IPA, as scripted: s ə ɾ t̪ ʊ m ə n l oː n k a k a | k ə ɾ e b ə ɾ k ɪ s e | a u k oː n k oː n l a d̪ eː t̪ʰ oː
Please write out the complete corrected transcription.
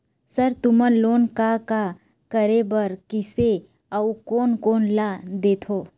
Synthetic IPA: s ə ɾ t̪ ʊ m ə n l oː n k a k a | k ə ɾ e b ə ɾ k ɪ s e | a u k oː n k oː n l a d̪ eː t̪ʰ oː